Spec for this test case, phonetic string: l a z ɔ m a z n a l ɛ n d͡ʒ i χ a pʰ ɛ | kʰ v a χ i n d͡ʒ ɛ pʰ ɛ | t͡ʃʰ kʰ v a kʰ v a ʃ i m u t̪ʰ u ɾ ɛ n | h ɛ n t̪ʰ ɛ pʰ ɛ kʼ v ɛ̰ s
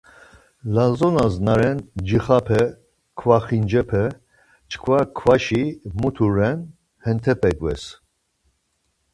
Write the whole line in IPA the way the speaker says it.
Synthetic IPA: l a z ɔ n a z n a ɾ ɛ n d͡ʒ i χ a pʰ ɛ | kʰ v a χ i n d͡ʒ ɛ pʰ ɛ | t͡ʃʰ kʰ v a kʰ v a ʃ i m u t̪ʰ u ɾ ɛ n | h ɛ n t̪ʰ ɛ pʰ ɛ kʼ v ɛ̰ s